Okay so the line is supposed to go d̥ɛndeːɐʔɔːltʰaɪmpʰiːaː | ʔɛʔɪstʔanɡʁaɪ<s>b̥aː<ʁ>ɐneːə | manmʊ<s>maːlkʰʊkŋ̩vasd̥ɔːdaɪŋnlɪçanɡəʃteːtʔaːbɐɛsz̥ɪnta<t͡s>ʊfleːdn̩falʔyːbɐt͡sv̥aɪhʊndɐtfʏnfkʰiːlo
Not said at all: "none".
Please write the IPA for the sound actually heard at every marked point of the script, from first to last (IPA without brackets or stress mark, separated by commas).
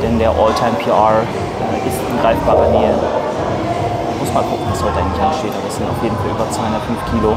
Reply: f, ʁ, s, none